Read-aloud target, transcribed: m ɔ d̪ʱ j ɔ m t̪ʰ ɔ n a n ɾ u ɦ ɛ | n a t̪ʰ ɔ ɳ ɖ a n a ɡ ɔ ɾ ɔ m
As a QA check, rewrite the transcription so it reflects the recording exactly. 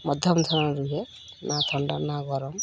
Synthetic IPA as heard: m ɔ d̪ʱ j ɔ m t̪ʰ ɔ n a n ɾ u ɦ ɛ | n a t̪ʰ ɔ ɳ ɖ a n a ɡ ɔ ɾ ɔ m